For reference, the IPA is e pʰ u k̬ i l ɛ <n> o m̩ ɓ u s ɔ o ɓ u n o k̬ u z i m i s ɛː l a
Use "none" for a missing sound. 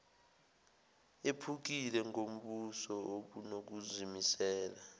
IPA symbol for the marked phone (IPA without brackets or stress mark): ŋ